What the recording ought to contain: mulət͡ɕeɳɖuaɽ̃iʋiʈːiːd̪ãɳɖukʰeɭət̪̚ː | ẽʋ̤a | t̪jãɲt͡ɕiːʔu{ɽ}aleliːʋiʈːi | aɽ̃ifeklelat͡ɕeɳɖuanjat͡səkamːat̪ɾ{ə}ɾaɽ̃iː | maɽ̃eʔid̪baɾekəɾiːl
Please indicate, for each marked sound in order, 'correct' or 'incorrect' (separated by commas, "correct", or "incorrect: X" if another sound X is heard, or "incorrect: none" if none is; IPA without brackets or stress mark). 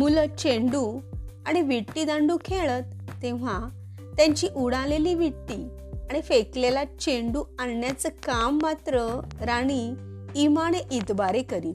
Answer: correct, correct